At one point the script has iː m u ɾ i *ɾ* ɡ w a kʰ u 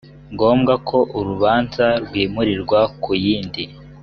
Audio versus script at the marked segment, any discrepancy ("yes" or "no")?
no